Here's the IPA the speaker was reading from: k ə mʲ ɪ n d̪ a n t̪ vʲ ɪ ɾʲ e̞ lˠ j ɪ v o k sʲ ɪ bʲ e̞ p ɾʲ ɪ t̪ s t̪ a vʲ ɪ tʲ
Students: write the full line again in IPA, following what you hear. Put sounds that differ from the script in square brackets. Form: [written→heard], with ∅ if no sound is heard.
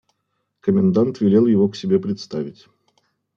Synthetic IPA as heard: k ə mʲ ɪ n d̪ a n t̪ vʲ ɪ [ɾʲ→lʲ] e̞ lˠ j ɪ v o k sʲ ɪ bʲ e̞ p ɾʲ ɪ t̪ s t̪ a vʲ ɪ tʲ